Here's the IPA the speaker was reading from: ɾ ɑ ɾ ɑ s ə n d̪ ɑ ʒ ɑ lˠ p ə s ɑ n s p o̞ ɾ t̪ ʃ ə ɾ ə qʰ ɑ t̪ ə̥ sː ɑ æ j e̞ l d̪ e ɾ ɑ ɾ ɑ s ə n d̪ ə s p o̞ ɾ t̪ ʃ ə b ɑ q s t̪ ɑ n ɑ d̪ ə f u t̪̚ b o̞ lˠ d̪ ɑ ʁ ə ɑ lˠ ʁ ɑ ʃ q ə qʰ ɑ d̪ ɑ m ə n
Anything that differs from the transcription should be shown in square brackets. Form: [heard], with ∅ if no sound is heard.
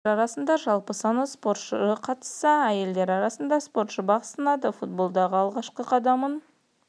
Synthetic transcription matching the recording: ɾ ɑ ɾ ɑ s ə n d̪ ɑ ʒ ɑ lˠ p ə s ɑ n s p o̞ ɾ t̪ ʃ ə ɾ ə qʰ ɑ t̪ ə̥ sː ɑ æ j e̞ l d̪ e ɾ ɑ ɾ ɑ s ə n d̪ [ɑ] s p o̞ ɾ t̪ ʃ ə b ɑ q s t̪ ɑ n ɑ d̪ ə f u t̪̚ b o̞ lˠ d̪ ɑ ʁ ə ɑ lˠ ʁ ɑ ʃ q ə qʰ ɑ d̪ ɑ m ə n